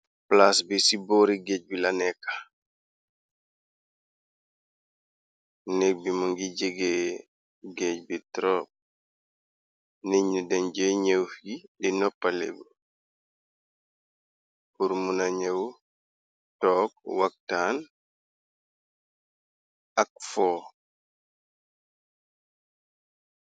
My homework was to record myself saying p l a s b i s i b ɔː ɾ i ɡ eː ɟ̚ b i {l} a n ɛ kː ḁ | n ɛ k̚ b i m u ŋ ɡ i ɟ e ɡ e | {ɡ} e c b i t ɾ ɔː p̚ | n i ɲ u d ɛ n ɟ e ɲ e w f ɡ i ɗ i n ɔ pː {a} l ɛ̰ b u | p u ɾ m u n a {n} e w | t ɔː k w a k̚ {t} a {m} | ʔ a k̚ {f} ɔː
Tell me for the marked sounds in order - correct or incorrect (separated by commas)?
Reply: correct, correct, correct, incorrect, correct, incorrect, correct